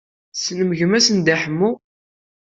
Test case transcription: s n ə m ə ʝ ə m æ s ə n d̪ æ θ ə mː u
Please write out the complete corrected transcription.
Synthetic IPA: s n ə m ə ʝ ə m æ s ə n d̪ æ ħ ə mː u